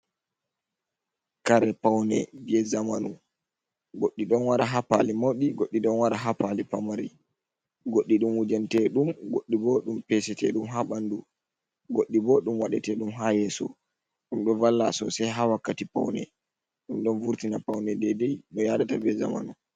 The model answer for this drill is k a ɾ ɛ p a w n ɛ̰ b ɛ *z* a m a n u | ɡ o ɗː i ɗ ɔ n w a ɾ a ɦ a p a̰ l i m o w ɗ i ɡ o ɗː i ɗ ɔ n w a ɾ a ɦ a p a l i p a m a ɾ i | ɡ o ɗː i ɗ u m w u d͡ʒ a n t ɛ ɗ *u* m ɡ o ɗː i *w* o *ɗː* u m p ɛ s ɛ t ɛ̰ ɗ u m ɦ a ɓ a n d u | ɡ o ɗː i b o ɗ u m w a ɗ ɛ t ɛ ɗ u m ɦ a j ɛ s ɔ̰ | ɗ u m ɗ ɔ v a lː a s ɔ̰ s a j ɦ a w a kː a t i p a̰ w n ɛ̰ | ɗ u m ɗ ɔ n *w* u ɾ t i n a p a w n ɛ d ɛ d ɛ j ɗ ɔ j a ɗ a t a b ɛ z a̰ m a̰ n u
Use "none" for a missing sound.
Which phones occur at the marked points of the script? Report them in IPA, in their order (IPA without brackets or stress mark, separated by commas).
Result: z, u, b, ɗ, v